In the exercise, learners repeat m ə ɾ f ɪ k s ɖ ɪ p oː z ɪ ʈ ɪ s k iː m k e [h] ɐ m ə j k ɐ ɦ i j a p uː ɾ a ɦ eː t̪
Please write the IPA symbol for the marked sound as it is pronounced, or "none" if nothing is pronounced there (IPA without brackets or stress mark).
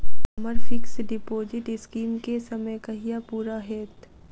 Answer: s